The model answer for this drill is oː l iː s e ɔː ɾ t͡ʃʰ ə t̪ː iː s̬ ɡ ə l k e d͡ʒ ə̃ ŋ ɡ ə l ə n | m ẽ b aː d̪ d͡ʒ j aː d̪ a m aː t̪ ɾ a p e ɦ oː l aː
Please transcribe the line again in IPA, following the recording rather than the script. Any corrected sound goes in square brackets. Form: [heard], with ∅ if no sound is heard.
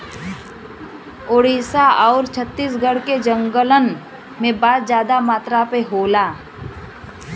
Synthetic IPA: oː [ɽ] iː s [a] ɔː ɾ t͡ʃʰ ə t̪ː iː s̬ ɡ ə [ɽ] k e d͡ʒ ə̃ ŋ ɡ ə l ə n | m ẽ b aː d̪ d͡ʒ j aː d̪ a m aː t̪ ɾ a p e ɦ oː l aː